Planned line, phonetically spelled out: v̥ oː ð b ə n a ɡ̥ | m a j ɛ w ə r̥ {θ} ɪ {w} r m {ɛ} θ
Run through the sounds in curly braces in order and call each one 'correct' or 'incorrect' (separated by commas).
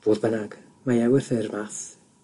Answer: correct, incorrect, incorrect